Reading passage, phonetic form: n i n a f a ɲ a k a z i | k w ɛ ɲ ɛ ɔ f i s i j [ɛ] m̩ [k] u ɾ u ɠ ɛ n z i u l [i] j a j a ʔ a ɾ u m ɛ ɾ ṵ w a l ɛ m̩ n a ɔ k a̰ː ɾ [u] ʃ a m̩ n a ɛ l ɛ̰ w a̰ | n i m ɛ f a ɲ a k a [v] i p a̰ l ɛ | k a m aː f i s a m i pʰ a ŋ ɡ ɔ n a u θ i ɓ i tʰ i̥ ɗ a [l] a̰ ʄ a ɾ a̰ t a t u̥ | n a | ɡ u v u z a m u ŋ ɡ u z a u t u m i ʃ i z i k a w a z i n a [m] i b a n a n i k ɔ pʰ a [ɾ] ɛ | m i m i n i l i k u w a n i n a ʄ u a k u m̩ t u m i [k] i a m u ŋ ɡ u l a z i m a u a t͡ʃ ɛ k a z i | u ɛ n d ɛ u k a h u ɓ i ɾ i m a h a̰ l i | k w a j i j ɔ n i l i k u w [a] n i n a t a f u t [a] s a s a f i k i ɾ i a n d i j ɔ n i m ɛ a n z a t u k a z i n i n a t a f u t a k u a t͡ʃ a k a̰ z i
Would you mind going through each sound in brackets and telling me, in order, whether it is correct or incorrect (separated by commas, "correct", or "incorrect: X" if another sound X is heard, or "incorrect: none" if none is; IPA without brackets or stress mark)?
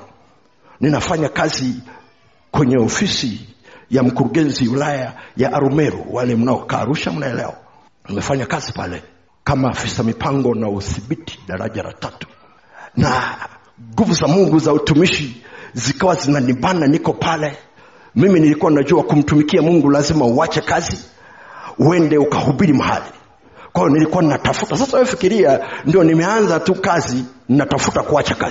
incorrect: a, correct, incorrect: a, correct, incorrect: z, incorrect: ɾ, incorrect: n, incorrect: l, correct, correct, correct